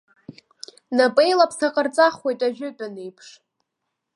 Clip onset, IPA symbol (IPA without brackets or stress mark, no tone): n